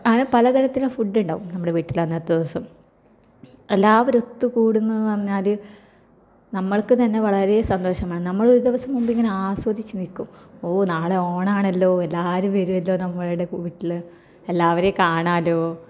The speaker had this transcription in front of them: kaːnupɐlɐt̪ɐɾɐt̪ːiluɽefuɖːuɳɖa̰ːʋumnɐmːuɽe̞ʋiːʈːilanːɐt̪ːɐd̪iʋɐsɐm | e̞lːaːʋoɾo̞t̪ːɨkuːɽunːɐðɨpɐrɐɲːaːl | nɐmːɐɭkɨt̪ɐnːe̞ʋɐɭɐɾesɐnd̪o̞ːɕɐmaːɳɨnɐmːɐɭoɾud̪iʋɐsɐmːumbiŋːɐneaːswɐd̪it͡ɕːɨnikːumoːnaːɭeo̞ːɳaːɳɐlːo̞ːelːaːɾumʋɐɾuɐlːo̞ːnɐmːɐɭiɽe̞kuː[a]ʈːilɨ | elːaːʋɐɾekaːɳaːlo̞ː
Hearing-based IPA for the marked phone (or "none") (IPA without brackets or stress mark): i